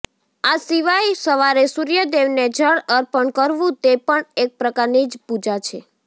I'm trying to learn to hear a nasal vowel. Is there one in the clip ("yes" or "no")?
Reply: yes